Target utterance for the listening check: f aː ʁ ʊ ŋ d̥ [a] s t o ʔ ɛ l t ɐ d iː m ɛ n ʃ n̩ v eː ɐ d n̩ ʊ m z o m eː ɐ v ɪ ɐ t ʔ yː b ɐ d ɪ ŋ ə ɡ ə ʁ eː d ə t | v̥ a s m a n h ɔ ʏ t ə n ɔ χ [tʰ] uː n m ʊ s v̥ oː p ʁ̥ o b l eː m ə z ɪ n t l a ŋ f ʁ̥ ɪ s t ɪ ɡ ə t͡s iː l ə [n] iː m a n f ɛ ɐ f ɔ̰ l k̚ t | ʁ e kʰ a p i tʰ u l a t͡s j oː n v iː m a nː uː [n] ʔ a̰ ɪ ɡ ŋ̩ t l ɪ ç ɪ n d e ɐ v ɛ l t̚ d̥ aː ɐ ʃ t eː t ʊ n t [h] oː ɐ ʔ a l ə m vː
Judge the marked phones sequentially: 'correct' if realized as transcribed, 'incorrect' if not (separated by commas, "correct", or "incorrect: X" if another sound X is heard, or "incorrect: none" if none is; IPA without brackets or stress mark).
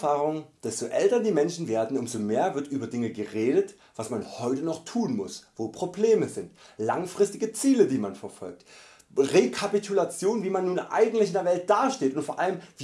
incorrect: ɛ, correct, incorrect: d, correct, incorrect: f